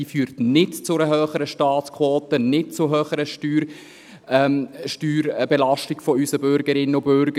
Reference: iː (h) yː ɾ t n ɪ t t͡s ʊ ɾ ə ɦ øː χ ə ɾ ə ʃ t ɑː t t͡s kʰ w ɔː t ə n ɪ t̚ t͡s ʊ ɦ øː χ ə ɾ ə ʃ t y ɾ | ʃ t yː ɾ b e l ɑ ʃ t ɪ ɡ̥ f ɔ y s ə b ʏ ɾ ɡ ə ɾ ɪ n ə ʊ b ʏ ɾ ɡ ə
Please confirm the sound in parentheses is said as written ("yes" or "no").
no